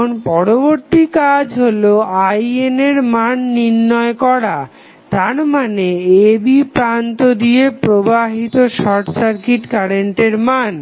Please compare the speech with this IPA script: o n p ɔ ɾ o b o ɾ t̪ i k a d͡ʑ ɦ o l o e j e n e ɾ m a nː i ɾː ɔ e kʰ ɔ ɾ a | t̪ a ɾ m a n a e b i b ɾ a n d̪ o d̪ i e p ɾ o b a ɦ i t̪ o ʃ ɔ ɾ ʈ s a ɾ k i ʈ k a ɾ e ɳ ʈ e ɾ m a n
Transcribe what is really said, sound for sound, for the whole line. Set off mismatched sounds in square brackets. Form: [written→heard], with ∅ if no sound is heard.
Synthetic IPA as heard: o n p ɔ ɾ o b o ɾ t̪ i k a d͡ʑ ɦ o l o [e→a] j e n e ɾ m a nː i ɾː ɔ e [kʰ→k] ɔ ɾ a | t̪ a ɾ m a n [a→e] e b i [b→p] ɾ a n [d̪→t̪] o d̪ i e p ɾ o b a ɦ i t̪ o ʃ ɔ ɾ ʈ s a ɾ k i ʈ k a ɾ e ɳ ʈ e ɾ m a n